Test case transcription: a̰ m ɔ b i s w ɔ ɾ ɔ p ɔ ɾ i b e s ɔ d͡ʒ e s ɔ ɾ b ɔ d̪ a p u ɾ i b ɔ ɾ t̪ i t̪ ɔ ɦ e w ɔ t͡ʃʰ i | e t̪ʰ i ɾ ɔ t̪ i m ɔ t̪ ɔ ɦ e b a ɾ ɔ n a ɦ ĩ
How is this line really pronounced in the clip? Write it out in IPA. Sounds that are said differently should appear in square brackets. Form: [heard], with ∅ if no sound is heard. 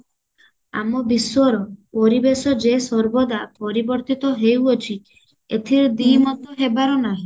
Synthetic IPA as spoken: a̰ m ɔ b i s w ɔ ɾ ɔ p ɔ ɾ i b e s ɔ d͡ʒ e s ɔ ɾ b ɔ d̪ a p [ɔ] ɾ i b ɔ ɾ t̪ i t̪ ɔ ɦ e w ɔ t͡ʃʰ i | e t̪ʰ i ɾ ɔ [d̪] i m ɔ t̪ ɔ ɦ e b a ɾ ɔ n a ɦ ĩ